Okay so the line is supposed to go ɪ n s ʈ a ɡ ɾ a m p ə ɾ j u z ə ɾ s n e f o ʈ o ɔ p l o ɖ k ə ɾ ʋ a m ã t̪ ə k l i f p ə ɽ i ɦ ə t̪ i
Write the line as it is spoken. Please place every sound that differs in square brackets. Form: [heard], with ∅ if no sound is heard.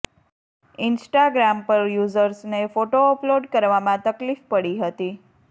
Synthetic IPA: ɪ n s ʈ a ɡ ɾ a m p ə ɾ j u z ə ɾ s n e f o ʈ o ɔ p l o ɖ k ə ɾ ʋ a m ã t̪ ə k l i f p ə ɽ i ɦ ə t̪ i